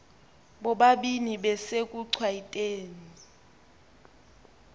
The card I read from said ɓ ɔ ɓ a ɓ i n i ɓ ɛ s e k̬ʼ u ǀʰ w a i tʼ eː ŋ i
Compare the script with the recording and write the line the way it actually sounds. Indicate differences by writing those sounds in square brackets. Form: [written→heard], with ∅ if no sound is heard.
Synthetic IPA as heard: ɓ ɔ ɓ a ɓ i n i ɓ ɛ s e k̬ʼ u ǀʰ w a i tʼ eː [ŋ→n] i